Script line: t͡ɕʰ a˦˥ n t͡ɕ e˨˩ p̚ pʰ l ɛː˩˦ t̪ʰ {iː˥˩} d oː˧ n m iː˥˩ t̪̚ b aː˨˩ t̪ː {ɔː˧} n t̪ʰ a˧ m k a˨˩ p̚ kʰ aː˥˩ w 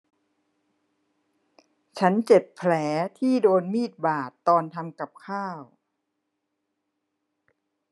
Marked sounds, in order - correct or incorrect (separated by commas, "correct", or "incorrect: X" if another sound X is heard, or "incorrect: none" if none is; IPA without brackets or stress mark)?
correct, correct